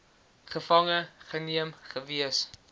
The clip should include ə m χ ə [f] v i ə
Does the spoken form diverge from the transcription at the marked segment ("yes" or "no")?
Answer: yes